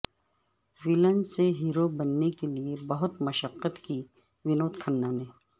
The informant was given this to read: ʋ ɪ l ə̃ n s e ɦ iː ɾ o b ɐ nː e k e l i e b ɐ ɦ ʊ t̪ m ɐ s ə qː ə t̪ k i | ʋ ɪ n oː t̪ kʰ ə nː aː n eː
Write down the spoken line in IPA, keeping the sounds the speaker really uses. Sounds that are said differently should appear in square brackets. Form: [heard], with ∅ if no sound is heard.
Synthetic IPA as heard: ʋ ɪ l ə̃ n s e ɦ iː ɾ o b ɐ nː e k e l i e b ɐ ɦ ʊ t̪ m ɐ [ʃ] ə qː ə t̪ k i | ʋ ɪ n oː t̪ kʰ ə nː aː n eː